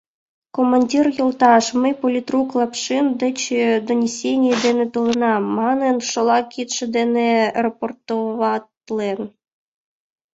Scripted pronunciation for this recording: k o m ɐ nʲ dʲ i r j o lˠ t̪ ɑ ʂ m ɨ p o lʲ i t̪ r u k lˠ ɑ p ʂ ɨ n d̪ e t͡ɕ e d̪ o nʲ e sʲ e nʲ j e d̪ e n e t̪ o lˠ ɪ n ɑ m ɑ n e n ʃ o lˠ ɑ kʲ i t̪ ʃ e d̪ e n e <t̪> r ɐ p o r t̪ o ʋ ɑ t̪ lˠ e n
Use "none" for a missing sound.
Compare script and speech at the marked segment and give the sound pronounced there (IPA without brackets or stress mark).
none